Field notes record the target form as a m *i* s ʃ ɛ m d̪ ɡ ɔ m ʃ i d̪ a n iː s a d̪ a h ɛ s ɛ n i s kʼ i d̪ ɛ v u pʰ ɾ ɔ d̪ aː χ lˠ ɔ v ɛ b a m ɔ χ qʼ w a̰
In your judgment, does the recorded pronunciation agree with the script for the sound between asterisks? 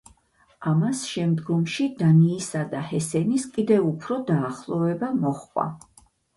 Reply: no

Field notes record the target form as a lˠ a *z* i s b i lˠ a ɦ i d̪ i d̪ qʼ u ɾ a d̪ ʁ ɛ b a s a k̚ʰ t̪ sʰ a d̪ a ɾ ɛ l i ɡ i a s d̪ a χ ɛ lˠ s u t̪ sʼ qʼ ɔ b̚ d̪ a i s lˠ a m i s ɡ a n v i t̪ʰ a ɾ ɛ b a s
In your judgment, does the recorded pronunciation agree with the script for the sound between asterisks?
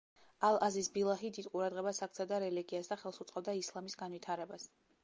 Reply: yes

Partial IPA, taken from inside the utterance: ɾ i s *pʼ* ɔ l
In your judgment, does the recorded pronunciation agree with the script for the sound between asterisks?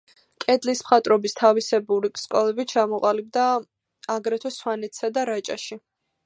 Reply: no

